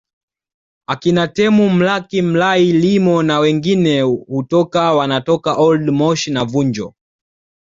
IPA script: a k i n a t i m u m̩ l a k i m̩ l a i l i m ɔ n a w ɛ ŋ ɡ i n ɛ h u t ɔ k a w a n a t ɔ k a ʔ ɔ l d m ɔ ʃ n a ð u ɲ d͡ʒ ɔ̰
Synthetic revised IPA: a k i n a t ɛ m u m̩ l a k i m̩ l a i l i m ɔ n a w ɛ ŋ ɡ i n ɛ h u t ɔ k a w a n a t ɔ k a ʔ ɔ l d m ɔ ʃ n a v u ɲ d͡ʒ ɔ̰